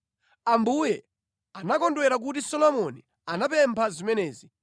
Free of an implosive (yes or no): yes